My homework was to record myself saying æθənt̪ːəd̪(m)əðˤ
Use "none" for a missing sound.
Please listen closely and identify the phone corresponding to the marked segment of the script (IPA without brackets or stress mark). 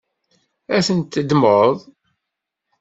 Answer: m